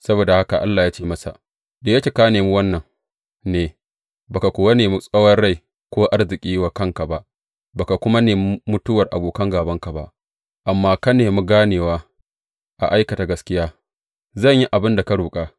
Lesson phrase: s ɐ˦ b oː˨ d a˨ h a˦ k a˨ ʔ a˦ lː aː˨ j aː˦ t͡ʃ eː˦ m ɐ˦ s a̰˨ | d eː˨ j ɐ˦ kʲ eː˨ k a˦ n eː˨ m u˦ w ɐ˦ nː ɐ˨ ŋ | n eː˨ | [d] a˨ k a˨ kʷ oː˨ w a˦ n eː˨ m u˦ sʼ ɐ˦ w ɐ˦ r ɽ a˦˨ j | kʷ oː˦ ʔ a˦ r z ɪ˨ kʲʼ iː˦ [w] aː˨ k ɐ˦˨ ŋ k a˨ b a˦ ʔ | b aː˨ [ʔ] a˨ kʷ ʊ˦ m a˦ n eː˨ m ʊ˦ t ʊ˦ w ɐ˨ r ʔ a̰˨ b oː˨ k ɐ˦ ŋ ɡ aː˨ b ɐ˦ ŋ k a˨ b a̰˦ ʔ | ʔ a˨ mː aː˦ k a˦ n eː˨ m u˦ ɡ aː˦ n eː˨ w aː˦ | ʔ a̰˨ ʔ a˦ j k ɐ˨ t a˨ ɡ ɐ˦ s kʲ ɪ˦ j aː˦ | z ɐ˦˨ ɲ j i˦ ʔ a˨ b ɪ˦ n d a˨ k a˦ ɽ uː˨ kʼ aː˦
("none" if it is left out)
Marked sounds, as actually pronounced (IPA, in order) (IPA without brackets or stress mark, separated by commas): b, w, k